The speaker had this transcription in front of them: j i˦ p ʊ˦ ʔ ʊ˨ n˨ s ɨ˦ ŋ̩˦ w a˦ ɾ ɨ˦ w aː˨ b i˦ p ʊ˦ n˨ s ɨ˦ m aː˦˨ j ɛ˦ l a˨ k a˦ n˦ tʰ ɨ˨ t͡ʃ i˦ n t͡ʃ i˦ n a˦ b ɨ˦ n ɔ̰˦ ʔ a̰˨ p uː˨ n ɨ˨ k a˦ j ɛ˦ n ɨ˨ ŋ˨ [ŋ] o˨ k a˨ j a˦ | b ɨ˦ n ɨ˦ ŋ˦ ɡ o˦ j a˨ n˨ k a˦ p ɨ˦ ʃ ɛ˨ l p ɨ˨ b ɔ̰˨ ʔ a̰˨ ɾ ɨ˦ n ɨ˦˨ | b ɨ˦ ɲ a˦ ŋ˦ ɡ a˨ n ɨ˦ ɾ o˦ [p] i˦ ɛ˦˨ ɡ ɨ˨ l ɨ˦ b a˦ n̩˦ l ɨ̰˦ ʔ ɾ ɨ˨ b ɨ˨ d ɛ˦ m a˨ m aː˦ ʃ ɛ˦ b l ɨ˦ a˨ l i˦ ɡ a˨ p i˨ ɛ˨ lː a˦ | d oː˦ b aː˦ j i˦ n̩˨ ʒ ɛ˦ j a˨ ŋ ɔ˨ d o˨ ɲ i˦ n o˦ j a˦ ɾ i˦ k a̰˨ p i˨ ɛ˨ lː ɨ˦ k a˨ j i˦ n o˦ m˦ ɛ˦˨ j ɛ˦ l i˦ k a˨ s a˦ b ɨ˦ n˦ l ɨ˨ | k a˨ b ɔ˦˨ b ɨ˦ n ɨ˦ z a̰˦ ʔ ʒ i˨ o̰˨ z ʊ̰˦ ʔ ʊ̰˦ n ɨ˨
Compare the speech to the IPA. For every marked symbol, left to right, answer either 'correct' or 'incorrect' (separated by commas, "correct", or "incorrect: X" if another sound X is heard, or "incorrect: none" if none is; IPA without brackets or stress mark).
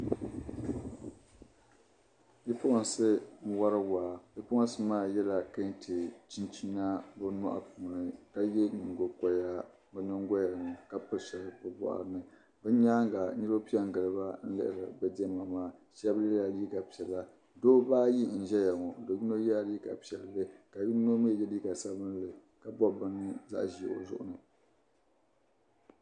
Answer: incorrect: ɡ, correct